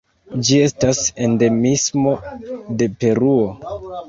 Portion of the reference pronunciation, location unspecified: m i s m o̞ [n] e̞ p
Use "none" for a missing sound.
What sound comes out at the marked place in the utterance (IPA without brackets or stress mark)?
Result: d